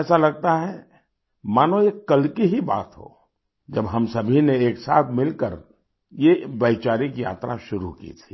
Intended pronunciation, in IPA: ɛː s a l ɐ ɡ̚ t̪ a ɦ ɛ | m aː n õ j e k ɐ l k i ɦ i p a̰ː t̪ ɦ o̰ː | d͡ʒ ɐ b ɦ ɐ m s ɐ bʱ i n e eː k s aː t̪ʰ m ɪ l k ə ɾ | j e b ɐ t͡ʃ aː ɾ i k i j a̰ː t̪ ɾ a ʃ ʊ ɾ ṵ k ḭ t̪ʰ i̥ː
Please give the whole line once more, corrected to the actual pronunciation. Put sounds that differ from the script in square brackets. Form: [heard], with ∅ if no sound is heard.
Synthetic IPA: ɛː s a l ɐ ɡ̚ t̪ a ɦ ɛ | m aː n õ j e k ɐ l k i ɦ i [b] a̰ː t̪ ɦ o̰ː | d͡ʒ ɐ b ɦ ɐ m s ɐ bʱ i n e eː k s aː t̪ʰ m ɪ l k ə ɾ | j e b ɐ t͡ʃ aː ɾ i k i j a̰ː t̪ ɾ a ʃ ʊ ɾ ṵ k ḭ t̪ʰ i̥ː